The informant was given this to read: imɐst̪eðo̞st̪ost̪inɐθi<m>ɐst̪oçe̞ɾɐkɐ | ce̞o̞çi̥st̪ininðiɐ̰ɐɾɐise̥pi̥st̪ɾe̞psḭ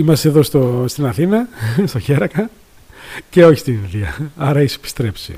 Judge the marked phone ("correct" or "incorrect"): incorrect